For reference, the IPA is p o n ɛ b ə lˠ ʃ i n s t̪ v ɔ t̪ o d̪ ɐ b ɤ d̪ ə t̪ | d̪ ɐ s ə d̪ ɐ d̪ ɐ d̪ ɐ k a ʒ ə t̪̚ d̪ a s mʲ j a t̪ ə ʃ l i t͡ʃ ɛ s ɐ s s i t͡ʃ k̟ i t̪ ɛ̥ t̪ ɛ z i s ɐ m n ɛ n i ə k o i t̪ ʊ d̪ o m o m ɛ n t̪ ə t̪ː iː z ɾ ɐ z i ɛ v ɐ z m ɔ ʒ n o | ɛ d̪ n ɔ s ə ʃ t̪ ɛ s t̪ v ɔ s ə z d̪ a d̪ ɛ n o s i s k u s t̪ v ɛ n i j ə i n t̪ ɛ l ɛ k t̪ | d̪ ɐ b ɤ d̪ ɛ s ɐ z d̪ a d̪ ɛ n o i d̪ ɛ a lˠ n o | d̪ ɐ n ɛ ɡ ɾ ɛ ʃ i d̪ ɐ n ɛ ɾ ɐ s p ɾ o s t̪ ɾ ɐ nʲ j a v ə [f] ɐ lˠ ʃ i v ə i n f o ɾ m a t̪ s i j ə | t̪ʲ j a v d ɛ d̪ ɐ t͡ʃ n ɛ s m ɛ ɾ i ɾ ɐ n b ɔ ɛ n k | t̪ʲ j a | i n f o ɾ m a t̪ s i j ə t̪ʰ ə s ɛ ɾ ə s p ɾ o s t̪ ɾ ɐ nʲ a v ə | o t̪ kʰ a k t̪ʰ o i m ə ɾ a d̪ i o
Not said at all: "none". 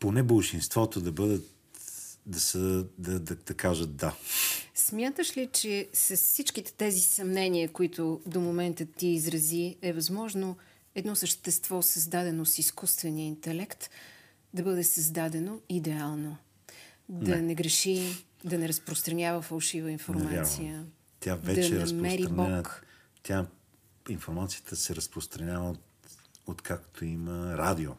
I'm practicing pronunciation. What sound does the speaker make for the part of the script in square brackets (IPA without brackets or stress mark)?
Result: f